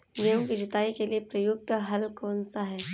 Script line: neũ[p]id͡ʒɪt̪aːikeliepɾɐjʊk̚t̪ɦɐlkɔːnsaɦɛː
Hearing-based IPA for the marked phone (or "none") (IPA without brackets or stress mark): k